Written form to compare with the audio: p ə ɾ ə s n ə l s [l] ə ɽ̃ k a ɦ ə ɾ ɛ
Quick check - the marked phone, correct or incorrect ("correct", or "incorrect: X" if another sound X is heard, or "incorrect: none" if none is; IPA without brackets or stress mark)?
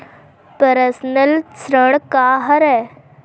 incorrect: ɾ